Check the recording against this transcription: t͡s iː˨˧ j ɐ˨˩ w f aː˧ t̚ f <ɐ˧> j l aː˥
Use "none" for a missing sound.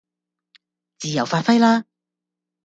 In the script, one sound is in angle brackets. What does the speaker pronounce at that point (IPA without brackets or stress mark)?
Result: ɐ˥